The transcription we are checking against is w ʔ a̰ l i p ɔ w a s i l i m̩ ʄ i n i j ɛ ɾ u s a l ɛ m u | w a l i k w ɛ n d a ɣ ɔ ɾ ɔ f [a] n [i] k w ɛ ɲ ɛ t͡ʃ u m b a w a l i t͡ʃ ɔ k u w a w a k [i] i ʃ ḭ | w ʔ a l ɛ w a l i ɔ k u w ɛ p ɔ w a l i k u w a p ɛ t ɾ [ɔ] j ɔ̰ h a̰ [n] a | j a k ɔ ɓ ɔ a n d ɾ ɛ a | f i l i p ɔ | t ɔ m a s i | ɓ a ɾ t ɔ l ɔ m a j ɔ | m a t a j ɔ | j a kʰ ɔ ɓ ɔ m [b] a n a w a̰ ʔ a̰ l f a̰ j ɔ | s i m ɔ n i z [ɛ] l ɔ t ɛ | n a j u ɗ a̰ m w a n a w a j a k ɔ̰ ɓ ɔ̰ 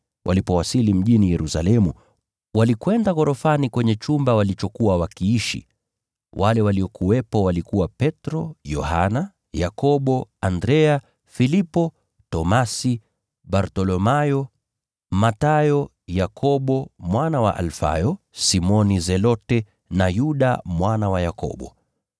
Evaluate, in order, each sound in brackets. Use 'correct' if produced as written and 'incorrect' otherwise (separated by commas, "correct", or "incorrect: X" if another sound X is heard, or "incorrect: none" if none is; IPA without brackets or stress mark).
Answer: correct, correct, correct, correct, correct, incorrect: w, correct